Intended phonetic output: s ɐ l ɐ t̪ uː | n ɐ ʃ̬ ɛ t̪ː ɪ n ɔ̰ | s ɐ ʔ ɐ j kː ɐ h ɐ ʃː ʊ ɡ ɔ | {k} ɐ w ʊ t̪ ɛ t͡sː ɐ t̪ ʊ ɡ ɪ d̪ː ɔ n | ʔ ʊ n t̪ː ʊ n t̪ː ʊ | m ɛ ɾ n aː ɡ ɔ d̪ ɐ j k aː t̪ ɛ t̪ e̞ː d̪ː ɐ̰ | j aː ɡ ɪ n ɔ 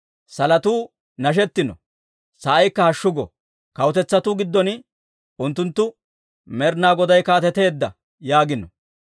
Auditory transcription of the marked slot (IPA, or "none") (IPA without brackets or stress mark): k